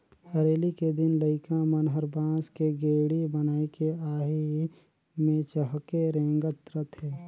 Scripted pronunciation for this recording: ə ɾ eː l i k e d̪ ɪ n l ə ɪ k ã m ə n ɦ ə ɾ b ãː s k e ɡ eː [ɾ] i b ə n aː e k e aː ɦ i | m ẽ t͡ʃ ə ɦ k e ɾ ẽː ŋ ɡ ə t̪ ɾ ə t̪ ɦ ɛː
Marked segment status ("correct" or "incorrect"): incorrect